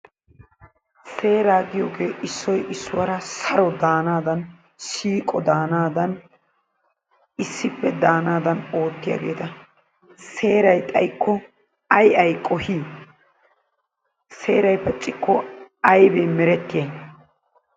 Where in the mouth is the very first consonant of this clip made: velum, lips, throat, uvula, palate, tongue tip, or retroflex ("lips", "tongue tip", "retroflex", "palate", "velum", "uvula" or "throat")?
tongue tip